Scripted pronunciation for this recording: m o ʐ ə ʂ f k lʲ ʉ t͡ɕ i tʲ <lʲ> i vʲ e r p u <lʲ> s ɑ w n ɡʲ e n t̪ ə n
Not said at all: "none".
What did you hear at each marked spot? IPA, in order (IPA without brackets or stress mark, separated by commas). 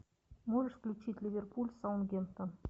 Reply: lʲ, lʲ